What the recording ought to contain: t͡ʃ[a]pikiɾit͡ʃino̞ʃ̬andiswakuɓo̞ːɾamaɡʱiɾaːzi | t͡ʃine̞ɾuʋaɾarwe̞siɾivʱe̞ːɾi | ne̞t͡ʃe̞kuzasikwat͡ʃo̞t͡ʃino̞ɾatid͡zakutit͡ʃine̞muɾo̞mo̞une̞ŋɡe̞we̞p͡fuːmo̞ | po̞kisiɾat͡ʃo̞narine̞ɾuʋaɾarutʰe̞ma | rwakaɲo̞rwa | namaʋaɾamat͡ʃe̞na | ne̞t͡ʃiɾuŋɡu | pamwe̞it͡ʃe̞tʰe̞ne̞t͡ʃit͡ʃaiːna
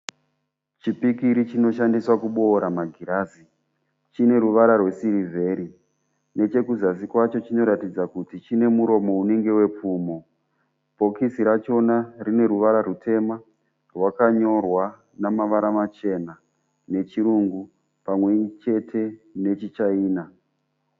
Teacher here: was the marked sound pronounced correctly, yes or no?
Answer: no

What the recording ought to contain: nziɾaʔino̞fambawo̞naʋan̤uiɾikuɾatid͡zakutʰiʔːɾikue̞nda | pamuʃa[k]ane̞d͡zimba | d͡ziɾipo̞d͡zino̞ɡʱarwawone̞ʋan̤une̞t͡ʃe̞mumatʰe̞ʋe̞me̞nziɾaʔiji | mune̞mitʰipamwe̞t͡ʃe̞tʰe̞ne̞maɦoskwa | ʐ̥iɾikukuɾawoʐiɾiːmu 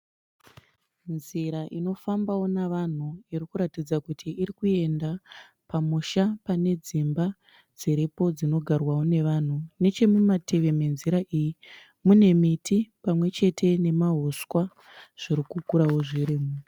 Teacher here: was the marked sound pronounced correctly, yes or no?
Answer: no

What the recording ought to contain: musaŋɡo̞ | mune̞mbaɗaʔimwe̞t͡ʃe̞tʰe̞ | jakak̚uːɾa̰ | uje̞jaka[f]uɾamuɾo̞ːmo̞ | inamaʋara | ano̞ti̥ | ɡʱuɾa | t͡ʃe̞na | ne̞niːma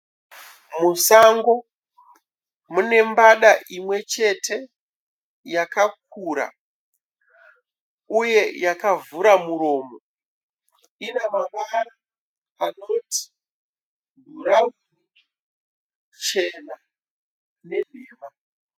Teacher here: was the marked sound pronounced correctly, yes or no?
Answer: no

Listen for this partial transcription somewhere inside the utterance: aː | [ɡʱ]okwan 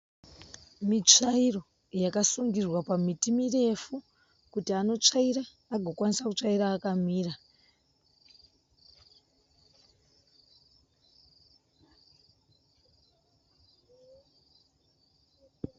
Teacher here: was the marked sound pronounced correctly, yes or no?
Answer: yes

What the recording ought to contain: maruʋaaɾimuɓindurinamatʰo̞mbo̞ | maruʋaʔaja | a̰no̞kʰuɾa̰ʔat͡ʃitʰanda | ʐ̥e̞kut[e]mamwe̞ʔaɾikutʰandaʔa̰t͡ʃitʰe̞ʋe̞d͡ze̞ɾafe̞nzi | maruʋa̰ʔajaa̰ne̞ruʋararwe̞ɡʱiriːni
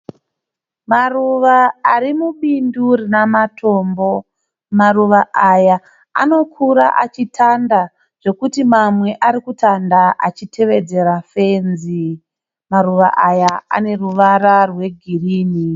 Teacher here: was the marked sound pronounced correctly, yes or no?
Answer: no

